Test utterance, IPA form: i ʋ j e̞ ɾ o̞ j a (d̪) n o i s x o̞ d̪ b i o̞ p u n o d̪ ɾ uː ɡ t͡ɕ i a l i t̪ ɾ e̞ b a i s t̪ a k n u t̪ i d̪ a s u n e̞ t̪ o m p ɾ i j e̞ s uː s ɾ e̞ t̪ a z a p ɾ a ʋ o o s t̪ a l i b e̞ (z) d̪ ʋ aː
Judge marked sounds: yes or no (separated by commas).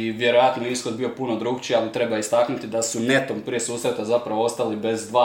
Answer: no, yes